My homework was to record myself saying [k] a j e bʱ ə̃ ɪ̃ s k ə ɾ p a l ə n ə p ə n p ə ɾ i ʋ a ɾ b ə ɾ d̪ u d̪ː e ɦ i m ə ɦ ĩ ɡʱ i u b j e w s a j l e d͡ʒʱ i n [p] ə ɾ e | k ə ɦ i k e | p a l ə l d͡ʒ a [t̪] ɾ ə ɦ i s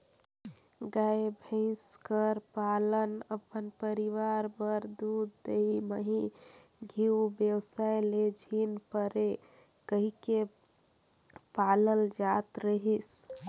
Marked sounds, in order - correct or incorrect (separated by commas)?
incorrect, correct, correct